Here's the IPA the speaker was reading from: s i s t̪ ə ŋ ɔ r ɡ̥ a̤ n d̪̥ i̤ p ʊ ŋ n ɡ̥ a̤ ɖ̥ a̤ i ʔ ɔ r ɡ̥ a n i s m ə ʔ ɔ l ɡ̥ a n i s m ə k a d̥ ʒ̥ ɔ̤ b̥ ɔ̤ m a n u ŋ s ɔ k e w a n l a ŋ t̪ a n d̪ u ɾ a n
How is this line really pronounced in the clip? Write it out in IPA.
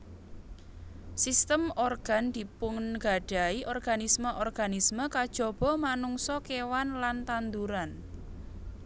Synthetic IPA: s i s t̪ ə m ɔ r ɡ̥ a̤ n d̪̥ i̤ p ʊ ŋ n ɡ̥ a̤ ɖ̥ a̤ i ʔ ɔ r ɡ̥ a n i s m ə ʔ ɔ r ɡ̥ a n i s m ə k a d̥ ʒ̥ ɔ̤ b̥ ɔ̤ m a n u ŋ s ɔ k e w a n l a n t̪ a n d̪ u ɾ a n